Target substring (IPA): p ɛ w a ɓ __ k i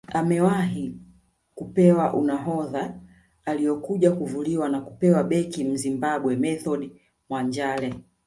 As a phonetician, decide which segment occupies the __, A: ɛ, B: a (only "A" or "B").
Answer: A